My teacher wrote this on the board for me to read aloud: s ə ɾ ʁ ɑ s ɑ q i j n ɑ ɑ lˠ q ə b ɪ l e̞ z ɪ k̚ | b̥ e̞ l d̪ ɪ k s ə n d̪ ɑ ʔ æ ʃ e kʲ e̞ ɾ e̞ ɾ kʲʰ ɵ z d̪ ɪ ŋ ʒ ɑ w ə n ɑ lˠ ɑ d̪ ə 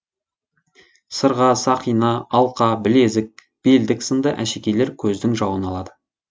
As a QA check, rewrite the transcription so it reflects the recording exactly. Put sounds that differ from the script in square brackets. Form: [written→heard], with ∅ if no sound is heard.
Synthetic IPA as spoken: s ə ɾ ʁ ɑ s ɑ q i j n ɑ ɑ lˠ q [ə→ɑ] b ɪ l e̞ z ɪ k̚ | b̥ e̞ l d̪ ɪ k s ə n d̪ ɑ ʔ æ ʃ e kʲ e̞ [ɾ→l] e̞ ɾ kʲʰ ɵ z d̪ ɪ ŋ ʒ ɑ w ə n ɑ lˠ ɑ d̪ ə

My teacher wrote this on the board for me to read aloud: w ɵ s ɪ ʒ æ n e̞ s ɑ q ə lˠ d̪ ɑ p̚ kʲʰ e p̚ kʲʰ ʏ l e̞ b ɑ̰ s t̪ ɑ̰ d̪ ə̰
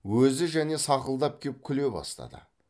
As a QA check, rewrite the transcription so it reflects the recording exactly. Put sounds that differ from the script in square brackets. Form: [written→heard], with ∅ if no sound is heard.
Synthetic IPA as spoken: w ɵ [s→z] ɪ ʒ æ n e̞ s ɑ q ə lˠ d̪ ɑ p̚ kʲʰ e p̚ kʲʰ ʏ l e̞ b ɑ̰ s t̪ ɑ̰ d̪ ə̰

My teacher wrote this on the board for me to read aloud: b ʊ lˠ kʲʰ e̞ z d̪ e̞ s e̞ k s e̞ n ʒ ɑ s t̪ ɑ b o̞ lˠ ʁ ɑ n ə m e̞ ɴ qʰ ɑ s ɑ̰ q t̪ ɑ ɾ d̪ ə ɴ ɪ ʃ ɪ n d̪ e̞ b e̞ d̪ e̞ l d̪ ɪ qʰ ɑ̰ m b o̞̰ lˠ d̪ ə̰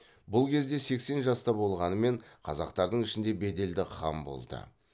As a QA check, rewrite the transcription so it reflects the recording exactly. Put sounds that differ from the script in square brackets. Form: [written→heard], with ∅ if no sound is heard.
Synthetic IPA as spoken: b ʊ lˠ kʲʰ e̞ z d̪ e̞ s e̞ k s e̞ n ʒ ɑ s t̪ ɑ b o̞ lˠ ʁ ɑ n ə m e̞ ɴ qʰ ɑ [s→z] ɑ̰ q t̪ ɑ ɾ d̪ ə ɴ ɪ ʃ ɪ n d̪ e̞ b e̞ d̪ e̞ l d̪ ɪ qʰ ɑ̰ m b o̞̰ lˠ d̪ ə̰

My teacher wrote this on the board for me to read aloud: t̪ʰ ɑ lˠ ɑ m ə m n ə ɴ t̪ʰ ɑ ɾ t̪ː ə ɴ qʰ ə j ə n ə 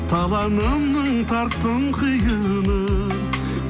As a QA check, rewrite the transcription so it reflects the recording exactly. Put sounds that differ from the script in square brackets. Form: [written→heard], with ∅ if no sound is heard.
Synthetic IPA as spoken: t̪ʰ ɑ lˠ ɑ [m→n] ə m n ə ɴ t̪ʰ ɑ ɾ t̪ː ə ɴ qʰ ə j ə n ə

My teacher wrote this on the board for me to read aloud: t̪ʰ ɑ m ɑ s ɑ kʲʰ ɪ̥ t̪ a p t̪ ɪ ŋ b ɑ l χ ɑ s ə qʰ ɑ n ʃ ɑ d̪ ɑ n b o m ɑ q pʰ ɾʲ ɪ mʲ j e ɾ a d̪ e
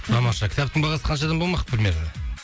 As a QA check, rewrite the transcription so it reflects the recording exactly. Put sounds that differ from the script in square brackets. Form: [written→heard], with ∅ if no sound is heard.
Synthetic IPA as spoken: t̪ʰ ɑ m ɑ [s→ʃ] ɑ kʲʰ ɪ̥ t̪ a p t̪ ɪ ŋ b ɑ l [χ→ʁ] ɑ s ə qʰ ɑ n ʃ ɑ d̪ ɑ n b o m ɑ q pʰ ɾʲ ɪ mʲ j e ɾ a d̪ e

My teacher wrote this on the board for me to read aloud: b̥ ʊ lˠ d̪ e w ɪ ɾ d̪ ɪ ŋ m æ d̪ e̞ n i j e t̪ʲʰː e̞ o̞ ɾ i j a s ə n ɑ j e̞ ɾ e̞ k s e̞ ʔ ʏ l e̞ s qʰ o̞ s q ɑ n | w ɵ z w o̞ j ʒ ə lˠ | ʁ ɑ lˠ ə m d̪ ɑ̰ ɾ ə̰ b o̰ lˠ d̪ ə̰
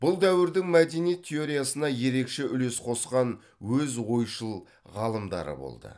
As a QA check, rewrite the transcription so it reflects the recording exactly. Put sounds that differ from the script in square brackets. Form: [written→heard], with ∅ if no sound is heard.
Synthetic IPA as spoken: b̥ ʊ lˠ d̪ [e→æ] w ɪ ɾ d̪ ɪ ŋ m æ d̪ e̞ n i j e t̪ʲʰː e̞ o̞ ɾ i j a s ə n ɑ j e̞ ɾ e̞ k [s→ʃ] e̞ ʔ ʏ l e̞ s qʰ o̞ s q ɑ n | w ɵ z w o̞ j [ʒ→ʃ] ə lˠ | ʁ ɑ lˠ ə m d̪ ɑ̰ ɾ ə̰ b o̰ lˠ d̪ ə̰

